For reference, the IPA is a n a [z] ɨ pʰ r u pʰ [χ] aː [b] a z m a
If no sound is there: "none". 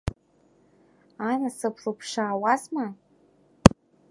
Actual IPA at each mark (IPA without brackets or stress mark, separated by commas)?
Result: s, ʂ, w